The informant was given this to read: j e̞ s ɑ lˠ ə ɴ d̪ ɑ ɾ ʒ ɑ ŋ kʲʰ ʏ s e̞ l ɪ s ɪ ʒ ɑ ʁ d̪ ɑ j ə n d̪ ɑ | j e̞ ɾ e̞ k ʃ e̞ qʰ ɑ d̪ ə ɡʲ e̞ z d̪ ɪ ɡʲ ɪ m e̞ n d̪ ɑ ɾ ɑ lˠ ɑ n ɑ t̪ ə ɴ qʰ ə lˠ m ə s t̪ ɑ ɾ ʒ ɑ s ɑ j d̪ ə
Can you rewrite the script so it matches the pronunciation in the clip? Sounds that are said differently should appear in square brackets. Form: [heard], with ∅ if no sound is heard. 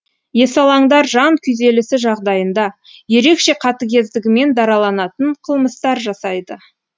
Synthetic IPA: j e̞ s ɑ lˠ [ɑ] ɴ d̪ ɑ ɾ ʒ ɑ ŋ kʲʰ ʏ [z] e̞ l ɪ s ɪ ʒ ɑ ʁ d̪ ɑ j ə n d̪ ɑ | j e̞ ɾ e̞ k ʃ e̞ qʰ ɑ [t̪] ə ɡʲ e̞ z d̪ ɪ ɡʲ ɪ m e̞ n d̪ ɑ ɾ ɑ lˠ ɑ n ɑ t̪ ə ɴ qʰ ə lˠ m ə s t̪ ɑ ɾ ʒ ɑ s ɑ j d̪ ə

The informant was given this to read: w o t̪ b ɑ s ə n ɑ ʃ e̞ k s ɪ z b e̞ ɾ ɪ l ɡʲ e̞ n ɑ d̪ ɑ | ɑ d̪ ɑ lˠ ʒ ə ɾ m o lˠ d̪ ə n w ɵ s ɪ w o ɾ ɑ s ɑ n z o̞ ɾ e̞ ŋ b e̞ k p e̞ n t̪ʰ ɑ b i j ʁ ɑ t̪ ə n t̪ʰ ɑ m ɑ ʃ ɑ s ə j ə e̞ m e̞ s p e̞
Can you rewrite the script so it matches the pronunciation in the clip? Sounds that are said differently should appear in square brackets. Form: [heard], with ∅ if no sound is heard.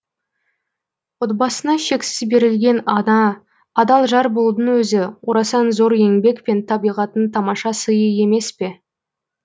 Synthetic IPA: w o t̪ b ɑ s ə n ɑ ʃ e̞ k s ɪ z b e̞ ɾ ɪ l ɡʲ e̞ n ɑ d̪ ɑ | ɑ d̪ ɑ lˠ ʒ [ɑ] ɾ [b] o lˠ d̪ ə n w ɵ [z] ɪ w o ɾ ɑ s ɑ n z o̞ ɾ e̞ ŋ b e̞ k p e̞ n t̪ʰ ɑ b i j ʁ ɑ t̪ ə n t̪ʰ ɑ m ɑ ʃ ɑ s ə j ə e̞ m e̞ s p e̞

